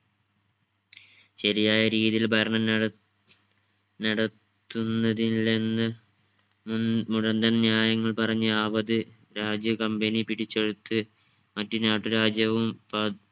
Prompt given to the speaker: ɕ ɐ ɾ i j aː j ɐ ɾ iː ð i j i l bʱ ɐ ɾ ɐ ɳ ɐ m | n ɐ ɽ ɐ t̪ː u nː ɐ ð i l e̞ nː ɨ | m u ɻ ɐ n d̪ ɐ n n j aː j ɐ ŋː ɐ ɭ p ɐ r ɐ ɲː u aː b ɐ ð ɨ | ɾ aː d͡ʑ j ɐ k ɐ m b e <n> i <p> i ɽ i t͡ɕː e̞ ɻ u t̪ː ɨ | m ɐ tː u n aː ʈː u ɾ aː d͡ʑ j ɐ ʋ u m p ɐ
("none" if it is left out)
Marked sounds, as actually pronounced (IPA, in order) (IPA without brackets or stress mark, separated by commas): n, p